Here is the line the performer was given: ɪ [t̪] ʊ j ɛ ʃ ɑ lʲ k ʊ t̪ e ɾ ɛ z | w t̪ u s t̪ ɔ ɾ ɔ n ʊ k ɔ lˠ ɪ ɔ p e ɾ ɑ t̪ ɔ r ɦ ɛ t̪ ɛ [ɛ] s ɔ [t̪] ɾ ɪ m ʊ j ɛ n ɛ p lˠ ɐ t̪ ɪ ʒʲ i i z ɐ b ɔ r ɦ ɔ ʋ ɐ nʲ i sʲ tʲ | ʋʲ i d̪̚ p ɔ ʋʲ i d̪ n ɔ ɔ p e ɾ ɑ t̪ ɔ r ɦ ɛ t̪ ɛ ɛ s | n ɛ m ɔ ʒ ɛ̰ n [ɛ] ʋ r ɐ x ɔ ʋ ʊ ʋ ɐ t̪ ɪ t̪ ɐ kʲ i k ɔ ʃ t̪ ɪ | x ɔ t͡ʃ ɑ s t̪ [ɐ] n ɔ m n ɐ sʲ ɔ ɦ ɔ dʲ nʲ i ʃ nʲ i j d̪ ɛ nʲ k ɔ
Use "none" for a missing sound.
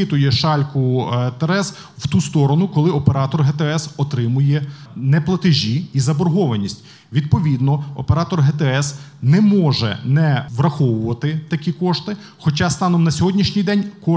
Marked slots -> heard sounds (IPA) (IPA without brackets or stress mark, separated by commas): t̪, ɛ, t̪, ɛ, ɑ